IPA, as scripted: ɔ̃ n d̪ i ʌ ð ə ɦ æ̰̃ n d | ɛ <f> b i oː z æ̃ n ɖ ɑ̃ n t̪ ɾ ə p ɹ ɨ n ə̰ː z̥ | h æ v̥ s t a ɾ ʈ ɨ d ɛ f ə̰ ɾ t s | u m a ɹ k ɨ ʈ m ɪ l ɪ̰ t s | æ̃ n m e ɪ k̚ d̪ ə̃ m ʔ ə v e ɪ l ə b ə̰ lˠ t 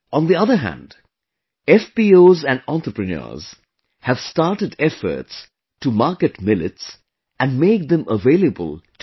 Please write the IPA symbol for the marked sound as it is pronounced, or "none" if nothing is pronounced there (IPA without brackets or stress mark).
f